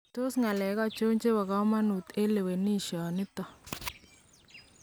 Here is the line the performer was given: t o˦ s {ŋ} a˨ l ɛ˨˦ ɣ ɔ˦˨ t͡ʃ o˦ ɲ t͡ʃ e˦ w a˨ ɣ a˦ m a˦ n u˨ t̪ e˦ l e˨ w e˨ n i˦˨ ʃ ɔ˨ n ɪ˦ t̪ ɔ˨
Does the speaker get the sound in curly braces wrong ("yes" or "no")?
no